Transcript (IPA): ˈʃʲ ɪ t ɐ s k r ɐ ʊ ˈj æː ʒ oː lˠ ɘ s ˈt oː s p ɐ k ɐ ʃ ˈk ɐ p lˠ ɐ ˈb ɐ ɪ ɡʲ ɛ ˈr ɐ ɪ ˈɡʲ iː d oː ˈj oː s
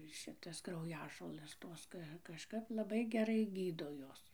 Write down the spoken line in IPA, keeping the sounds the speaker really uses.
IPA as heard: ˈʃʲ ɪ t ɐ s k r ɐ ʊ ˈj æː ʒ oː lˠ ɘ s ˈt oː s k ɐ k ɐ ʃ ˈk ɐ p lˠ ɐ ˈb ɐ ɪ ɡʲ ɛ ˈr ɐ ɪ ˈɡʲ iː d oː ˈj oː s